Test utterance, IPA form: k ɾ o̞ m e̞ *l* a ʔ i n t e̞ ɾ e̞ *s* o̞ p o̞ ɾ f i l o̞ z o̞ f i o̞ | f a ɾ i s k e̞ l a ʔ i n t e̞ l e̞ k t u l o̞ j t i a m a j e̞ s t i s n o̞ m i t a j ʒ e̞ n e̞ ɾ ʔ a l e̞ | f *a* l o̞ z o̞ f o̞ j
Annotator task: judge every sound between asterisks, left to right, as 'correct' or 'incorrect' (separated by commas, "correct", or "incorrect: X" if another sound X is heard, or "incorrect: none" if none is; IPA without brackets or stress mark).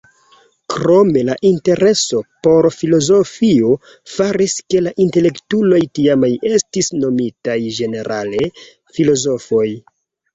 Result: correct, correct, incorrect: i